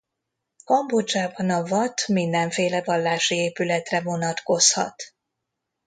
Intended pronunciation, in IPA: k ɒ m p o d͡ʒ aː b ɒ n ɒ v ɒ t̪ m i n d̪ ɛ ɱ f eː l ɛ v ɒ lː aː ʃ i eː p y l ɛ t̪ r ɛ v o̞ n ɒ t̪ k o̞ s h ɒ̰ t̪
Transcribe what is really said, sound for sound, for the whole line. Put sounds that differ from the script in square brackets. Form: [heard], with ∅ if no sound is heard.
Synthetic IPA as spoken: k ɒ m [b] o d͡ʒ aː b ɒ n ɒ v ɒ t̪ m i n d̪ ɛ ɱ f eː l ɛ v ɒ lː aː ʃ i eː p y l ɛ t̪ r ɛ v o̞ n ɒ t̪ k o̞ s h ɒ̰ t̪

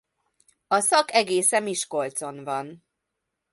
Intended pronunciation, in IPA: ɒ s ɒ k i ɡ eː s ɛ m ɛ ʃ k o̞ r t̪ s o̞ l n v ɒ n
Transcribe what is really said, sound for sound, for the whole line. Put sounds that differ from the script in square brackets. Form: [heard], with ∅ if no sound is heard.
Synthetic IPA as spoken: ɒ s ɒ k [ɛ] ɡ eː s ɛ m [i] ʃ k o̞ [l] t̪ s o̞ [∅] n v ɒ n

